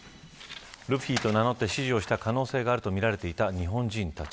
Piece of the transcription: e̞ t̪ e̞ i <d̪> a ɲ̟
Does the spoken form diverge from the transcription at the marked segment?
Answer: yes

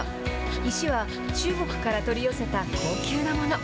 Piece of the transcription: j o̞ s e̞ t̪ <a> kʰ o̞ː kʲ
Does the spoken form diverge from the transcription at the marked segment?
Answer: no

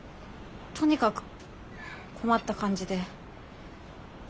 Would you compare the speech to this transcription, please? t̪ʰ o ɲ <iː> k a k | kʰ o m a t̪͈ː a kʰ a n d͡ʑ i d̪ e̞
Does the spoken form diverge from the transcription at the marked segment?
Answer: yes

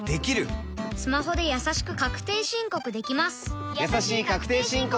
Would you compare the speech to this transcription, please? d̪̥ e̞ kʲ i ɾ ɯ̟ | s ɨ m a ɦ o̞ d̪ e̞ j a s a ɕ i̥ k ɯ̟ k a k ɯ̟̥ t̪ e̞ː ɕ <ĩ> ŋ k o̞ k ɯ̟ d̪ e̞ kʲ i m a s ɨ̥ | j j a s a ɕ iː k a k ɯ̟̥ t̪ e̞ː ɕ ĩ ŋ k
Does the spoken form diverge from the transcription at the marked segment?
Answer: no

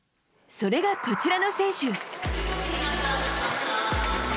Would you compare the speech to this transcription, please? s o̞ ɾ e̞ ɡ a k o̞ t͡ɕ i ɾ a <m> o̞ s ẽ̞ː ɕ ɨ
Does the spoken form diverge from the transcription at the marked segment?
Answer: yes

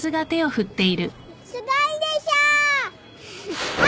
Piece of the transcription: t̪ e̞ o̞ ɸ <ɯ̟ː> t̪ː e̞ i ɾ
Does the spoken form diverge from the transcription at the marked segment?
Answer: yes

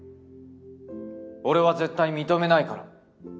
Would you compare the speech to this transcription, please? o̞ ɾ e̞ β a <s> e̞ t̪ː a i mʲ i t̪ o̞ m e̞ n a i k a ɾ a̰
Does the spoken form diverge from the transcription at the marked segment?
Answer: yes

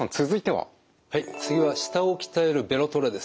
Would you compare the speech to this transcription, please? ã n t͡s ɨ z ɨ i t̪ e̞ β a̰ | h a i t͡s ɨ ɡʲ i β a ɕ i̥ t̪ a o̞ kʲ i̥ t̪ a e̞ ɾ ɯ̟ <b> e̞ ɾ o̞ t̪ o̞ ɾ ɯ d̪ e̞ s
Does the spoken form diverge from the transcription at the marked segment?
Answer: no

